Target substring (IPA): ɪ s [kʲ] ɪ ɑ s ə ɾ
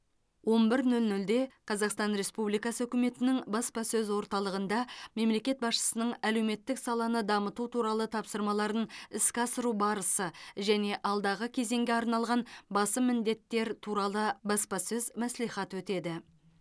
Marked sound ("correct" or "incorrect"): correct